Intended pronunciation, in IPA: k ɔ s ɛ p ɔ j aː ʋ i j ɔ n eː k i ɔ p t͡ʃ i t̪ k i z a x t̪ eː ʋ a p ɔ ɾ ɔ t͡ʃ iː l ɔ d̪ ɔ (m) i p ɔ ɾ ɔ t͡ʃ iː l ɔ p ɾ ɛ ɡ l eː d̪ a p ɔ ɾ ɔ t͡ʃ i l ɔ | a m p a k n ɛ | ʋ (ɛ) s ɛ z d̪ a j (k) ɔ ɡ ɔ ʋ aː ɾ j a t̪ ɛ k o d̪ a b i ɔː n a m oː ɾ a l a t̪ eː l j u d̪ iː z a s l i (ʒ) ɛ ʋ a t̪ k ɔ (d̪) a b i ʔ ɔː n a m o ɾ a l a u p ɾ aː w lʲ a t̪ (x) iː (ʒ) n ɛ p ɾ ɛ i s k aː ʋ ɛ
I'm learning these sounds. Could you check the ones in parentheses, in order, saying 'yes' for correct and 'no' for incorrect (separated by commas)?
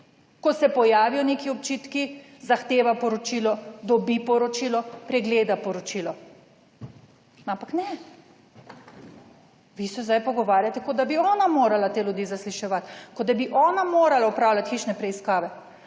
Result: no, no, no, no, yes, yes, no